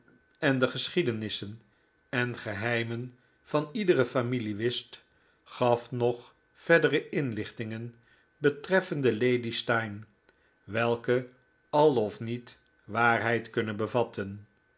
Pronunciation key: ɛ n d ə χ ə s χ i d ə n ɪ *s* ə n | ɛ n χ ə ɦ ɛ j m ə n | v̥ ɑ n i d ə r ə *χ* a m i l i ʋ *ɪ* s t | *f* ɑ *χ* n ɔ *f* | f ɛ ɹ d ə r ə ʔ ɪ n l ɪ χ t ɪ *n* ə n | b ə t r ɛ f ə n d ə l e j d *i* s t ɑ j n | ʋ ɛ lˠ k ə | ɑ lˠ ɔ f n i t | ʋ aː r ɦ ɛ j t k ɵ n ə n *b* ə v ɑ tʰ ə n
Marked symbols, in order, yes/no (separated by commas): yes, no, yes, no, no, no, no, yes, yes